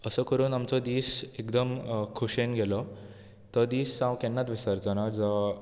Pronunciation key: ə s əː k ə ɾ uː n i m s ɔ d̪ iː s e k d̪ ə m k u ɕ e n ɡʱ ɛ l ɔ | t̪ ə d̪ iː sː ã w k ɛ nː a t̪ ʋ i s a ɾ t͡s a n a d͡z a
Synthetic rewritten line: ə s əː k ə ɾ uː n a m t͡s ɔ d̪ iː s e k d̪ ə m kʰ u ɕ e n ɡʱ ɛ l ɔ | t̪ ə d̪ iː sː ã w k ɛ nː a t̪ ʋ i s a ɾ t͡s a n a d͡z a